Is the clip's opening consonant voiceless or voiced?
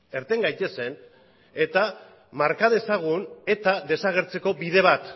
voiced